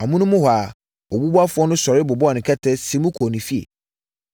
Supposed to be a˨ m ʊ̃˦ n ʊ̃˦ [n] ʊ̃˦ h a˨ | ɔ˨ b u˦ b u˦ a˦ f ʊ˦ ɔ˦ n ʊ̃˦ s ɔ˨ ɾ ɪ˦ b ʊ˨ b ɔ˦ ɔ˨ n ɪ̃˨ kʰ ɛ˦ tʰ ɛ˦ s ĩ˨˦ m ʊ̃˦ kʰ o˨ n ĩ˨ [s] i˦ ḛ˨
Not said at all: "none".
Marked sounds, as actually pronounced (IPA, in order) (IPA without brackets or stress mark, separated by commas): m, f